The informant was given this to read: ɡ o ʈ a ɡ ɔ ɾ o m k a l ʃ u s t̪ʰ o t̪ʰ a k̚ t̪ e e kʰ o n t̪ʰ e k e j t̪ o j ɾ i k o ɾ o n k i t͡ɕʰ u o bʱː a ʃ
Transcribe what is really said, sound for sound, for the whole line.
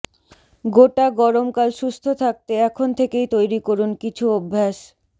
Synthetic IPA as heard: ɡ o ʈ a ɡ ɔ ɾ o m k a l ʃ u s t̪ʰ o t̪ʰ a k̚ t̪ e ɛ kʰ o n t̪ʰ e k e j t̪ o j ɾ i k o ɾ u n k i t͡ɕʰ u o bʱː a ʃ